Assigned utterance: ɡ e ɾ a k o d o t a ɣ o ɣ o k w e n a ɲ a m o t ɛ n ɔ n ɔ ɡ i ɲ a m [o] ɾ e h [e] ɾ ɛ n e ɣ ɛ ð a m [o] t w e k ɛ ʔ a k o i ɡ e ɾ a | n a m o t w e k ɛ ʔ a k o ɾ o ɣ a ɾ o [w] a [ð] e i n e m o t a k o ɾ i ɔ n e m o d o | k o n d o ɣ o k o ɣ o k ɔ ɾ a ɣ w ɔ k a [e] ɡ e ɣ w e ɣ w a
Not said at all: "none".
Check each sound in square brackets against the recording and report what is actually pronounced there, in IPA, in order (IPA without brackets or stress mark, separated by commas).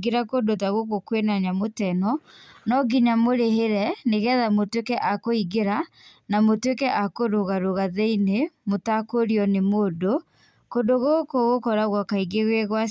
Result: o, e, o, ɣ, ð, i